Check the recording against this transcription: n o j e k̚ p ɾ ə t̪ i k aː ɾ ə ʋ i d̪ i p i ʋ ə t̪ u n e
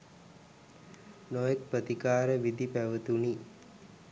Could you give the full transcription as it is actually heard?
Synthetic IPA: n o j e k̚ p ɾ ə t̪ i k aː ɾ ə ʋ i d̪ i p æ ʋ ə t̪ u n i